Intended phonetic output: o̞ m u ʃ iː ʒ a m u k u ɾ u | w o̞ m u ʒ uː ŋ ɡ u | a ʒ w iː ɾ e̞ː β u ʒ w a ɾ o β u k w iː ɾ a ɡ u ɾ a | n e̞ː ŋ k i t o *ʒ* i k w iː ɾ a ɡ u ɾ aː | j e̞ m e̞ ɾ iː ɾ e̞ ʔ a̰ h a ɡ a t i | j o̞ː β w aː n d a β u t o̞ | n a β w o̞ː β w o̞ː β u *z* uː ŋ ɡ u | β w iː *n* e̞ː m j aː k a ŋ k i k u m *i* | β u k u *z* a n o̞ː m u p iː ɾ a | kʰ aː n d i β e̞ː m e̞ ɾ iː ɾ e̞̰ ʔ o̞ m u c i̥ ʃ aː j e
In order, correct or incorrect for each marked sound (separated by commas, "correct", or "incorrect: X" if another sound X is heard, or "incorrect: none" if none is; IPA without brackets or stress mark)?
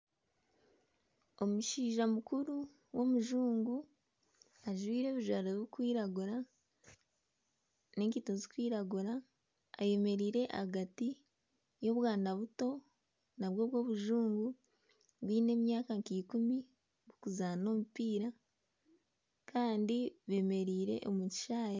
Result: incorrect: z, incorrect: ʒ, correct, correct, correct